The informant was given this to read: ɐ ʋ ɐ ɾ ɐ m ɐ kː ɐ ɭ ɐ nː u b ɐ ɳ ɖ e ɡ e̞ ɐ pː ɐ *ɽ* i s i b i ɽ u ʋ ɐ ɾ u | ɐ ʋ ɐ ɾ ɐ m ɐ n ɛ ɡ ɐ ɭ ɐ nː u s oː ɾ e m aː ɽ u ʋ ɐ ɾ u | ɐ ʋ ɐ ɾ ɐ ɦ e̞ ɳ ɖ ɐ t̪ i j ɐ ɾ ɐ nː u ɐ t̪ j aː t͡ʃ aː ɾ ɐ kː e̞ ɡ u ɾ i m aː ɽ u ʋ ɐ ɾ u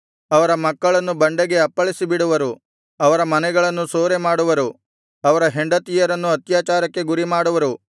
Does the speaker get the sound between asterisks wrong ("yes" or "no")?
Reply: yes